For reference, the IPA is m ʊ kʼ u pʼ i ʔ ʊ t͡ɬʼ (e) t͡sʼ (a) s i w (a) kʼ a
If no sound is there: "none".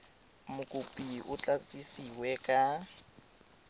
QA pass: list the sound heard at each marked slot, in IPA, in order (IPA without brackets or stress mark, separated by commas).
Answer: a, i, ɛ